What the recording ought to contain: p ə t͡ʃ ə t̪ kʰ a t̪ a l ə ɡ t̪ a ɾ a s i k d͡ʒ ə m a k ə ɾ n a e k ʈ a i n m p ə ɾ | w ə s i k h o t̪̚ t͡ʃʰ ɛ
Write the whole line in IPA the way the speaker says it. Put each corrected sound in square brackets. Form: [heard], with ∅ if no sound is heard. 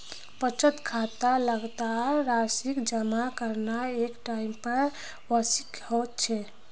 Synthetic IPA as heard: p ə t͡ʃ ə t̪ kʰ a t̪ a l ə ɡ t̪ a ɾ a s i k d͡ʒ ə m a k ə ɾ n a e k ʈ a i [∅] m p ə ɾ | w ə s i k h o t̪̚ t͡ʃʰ ɛ